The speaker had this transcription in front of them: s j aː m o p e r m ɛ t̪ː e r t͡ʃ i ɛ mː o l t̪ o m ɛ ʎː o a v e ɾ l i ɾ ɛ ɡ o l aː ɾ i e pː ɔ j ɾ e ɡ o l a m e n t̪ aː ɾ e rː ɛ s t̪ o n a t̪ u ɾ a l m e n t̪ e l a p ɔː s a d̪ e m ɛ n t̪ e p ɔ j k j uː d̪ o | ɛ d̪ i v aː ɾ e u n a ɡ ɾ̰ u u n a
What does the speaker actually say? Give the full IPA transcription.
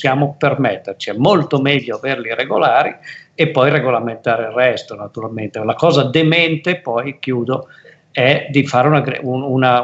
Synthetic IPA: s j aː m o p e r m ɛ t̪ː e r t͡ʃ i ɛ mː o l t̪ o m ɛ ʎː o a v e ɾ l i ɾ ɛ ɡ o l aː ɾ i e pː ɔ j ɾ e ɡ o l a m e n t̪ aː ɾ e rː ɛ s t̪ o n a t̪ u ɾ a l m e n t̪ e l a k ɔː z a d̪ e m ɛ n t̪ e p ɔ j k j uː d̪ o | ɛ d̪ i f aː ɾ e u n a ɡ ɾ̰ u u n a